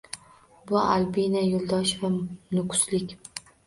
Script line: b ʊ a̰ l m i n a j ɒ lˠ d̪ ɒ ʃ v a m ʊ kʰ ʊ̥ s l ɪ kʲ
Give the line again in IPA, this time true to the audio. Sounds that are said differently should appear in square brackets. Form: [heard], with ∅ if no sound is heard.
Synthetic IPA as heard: b ʊ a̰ l [b] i n a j [o] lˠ d̪ ɒ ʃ v a [n] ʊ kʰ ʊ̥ s l ɪ kʲ